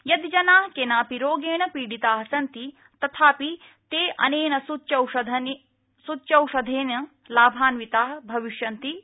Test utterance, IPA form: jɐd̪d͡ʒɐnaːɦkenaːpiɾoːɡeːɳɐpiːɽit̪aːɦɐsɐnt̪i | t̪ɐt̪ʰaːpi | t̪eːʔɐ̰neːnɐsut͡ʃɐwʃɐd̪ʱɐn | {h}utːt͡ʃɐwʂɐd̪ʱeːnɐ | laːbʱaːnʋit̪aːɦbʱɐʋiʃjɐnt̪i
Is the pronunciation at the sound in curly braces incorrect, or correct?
incorrect